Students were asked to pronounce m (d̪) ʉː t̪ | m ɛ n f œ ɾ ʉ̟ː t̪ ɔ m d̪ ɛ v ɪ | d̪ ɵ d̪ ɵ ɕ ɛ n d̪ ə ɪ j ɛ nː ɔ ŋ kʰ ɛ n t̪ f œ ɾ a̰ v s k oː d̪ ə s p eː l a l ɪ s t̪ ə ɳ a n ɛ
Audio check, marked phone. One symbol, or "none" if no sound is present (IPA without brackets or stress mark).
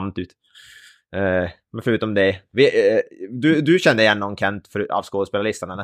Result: t̪